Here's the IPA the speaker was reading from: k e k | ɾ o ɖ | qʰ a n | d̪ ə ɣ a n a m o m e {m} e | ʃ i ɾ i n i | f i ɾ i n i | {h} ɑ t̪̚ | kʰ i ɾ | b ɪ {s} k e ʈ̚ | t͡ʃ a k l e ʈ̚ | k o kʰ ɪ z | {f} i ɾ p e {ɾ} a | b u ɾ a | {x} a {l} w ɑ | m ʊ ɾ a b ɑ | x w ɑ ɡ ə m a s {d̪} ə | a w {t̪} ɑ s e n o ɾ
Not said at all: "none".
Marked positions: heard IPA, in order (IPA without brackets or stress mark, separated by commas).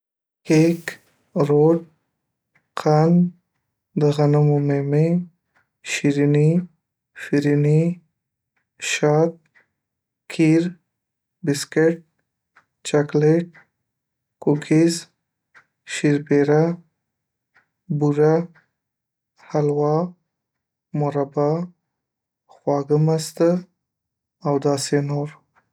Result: m, ʃ, s, ʃ, ɾ, h, l, t̪, d̪